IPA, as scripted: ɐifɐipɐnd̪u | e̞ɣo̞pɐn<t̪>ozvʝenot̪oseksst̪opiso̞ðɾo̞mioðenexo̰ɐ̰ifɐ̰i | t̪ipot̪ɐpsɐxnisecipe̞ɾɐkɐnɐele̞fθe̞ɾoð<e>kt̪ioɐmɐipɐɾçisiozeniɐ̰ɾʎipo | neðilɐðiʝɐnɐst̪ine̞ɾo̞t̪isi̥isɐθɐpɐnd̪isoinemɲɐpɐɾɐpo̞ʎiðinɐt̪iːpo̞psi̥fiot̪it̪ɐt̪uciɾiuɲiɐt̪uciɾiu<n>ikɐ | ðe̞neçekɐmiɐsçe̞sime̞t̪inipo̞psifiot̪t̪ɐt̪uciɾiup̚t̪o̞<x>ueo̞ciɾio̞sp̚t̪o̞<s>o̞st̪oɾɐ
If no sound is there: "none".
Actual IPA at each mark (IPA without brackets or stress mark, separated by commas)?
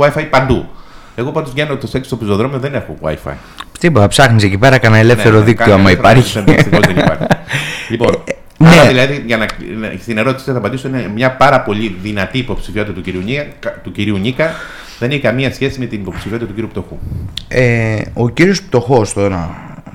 d̪, i, ɲ, x, x